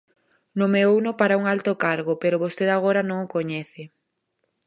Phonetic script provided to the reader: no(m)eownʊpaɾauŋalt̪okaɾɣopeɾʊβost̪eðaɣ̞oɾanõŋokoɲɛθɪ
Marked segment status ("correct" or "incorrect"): correct